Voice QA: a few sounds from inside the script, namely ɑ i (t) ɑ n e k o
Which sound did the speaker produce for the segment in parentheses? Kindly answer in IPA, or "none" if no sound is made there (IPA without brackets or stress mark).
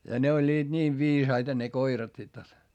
t